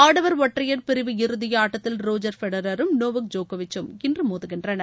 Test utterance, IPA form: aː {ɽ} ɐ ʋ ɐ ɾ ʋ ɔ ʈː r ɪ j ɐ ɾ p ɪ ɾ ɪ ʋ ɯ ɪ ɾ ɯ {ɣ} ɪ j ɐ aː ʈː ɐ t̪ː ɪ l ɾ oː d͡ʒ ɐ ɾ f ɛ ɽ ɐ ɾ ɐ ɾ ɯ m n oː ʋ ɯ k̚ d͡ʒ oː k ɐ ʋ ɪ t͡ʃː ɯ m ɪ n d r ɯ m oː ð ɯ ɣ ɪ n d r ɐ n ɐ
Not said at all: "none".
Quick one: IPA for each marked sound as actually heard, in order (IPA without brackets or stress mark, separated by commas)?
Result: ɽ, ð